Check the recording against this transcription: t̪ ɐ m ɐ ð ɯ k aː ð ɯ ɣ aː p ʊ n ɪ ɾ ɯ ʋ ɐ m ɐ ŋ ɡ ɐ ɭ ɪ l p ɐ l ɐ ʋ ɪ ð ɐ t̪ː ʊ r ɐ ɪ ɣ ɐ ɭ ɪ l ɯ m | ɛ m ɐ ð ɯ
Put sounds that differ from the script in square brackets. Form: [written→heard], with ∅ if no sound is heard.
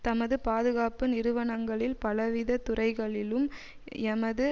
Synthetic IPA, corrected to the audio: t̪ ɐ m ɐ ð ɯ [k→p] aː ð ɯ ɣ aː p [ʊ→ɯ] n ɪ ɾ ɯ ʋ ɐ [m→ɳ] ɐ ŋ ɡ ɐ ɭ ɪ l p ɐ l ɐ ʋ ɪ ð ɐ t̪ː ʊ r ɐ ɪ ɣ ɐ ɭ ɪ l ɯ m | ɛ m ɐ ð ɯ